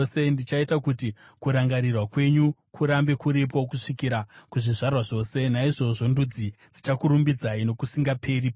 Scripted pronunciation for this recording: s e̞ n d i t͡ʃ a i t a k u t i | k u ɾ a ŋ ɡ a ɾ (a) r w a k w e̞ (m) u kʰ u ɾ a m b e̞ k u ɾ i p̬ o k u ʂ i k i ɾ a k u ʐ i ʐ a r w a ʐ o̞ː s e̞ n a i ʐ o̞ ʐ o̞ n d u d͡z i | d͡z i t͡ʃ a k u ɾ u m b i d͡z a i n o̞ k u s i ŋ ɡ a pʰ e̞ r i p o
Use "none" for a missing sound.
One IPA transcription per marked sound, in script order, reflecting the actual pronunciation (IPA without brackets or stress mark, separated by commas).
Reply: i, ɲ